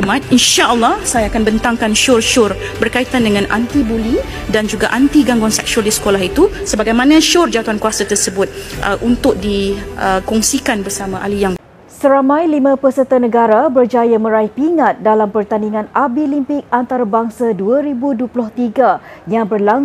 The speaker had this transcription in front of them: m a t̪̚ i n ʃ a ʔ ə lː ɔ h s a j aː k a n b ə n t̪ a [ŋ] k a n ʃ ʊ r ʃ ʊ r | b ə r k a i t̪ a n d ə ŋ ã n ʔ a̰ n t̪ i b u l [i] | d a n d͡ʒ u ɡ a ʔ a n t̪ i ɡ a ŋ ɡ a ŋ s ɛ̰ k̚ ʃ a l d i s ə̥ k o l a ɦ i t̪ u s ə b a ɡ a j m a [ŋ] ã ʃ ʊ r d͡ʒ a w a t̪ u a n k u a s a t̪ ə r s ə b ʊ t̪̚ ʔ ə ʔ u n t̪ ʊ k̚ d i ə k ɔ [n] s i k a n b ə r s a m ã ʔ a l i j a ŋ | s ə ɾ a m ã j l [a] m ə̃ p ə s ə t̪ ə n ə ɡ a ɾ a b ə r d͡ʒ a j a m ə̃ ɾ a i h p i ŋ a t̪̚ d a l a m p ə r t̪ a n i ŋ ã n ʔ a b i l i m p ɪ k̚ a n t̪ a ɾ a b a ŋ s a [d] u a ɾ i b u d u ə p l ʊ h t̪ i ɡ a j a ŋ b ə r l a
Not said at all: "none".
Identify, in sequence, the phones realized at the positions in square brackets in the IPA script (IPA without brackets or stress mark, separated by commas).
ŋ, i, n, ŋ, i, d